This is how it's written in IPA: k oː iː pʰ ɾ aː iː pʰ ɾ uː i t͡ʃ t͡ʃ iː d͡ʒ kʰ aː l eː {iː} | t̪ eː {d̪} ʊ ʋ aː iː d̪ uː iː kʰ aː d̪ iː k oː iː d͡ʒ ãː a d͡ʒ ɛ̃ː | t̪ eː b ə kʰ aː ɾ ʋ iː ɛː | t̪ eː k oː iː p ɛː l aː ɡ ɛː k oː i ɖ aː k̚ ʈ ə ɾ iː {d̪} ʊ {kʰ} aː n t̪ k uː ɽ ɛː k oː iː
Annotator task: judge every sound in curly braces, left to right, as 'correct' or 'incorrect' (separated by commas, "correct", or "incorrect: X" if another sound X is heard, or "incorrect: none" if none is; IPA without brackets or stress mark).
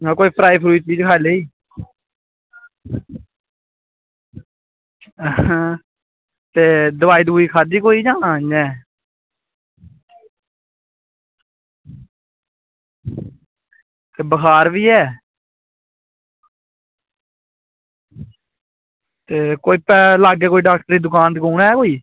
correct, correct, correct, incorrect: k